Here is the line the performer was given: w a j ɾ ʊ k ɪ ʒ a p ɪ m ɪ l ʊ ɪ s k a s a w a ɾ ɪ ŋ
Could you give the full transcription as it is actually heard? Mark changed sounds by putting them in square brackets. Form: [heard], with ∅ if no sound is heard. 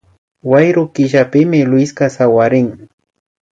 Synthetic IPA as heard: w a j ɾ ʊ k ɪ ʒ a p ɪ m ɪ l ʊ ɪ s k a s a w a ɾ ɪ ŋ